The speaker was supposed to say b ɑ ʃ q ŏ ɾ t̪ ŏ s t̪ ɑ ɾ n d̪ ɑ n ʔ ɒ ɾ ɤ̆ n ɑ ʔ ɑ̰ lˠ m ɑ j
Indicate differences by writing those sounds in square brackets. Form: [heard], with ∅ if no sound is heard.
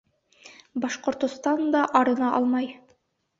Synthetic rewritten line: b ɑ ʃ q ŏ ɾ t̪ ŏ s t̪ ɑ [∅] n d̪ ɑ [∅] ʔ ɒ ɾ ɤ̆ n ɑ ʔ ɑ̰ lˠ m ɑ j